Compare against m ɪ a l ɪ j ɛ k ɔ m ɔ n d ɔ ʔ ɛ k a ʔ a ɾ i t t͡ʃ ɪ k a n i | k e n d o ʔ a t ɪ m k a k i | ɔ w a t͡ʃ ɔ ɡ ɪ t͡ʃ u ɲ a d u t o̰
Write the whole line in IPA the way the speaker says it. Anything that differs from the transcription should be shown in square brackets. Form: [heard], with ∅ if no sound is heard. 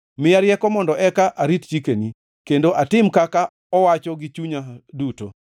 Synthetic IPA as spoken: m ɪ a [ɾ] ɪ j ɛ k ɔ m ɔ n d ɔ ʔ ɛ k a ʔ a ɾ i t t͡ʃ [i] k [e] n i | k e n d o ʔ a t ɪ m k a k [a] | ɔ w a t͡ʃ ɔ ɡ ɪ t͡ʃ u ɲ a d u t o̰